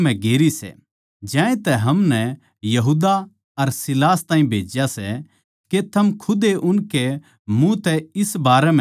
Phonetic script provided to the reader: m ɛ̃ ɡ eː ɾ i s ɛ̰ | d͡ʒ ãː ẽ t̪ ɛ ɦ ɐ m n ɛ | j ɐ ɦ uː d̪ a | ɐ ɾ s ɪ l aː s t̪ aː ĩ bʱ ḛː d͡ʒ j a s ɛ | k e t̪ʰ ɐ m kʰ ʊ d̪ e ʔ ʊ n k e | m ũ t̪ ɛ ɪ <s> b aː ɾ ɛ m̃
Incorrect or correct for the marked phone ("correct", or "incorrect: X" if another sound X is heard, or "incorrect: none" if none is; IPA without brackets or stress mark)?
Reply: correct